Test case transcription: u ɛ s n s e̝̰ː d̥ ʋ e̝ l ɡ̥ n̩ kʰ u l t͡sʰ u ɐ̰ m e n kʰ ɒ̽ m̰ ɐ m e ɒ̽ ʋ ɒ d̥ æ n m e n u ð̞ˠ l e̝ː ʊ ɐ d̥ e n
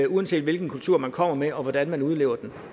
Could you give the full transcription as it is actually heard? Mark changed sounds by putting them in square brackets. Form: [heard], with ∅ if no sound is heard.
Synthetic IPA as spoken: u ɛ [∅] n s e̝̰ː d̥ ʋ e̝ l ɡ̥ n̩ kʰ u l t͡sʰ u ɐ̰ m [æ] n kʰ ɒ̽ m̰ ɐ m e ɒ̽ ʋ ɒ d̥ æ n m [æ] n u ð̞ˠ l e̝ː ʊ ɐ d̥ e n